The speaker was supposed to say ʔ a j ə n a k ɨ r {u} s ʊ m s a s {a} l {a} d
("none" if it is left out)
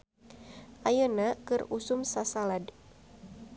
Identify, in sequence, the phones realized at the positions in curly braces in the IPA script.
u, a, a

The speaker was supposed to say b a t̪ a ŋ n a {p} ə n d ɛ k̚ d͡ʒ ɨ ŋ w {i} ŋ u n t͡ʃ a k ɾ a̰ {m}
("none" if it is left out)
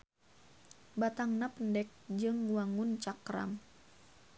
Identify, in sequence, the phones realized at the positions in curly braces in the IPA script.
p, a, m

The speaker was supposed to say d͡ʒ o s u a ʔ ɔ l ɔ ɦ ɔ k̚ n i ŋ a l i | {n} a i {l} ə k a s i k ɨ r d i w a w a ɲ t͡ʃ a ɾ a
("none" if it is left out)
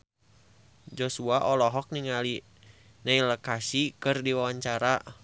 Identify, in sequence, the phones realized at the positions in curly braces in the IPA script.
n, l

